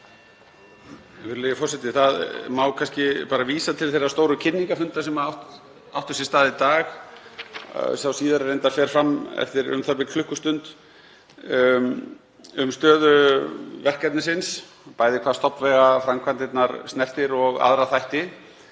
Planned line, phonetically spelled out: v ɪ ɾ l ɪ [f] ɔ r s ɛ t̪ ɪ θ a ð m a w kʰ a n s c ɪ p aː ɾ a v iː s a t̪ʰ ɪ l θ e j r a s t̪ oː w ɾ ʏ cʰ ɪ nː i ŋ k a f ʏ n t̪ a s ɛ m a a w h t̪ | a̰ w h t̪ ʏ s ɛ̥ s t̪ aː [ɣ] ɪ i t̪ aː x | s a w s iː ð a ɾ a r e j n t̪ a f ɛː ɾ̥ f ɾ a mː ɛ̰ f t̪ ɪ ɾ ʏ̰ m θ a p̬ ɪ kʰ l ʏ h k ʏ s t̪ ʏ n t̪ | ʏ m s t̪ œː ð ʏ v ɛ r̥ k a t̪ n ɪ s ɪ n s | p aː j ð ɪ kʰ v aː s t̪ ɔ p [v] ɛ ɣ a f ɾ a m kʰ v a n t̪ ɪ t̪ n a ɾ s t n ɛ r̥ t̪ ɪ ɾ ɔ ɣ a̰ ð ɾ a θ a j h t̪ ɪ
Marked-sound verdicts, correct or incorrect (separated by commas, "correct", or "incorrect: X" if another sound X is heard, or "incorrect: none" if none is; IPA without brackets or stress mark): correct, incorrect: ð, correct